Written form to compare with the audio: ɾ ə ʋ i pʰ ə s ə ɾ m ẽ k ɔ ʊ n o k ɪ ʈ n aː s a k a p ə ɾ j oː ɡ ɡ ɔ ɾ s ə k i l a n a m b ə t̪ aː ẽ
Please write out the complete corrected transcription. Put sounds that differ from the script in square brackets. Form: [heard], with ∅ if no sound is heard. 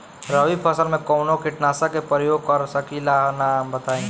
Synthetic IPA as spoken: ɾ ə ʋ i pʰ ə s ə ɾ m ẽ k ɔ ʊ n o k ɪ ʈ n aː s a k [e] p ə ɾ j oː ɡ [k] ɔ ɾ s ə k i l a n a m b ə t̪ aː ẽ